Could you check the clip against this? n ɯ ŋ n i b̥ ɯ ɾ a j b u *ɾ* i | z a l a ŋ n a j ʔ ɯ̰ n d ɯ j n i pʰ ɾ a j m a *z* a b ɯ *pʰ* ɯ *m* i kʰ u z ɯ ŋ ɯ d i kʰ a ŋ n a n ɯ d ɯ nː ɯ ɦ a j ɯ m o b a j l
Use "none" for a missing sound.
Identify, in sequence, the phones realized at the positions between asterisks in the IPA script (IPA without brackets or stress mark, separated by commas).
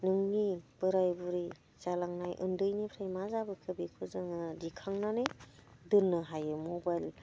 ɾ, z, kʰ, b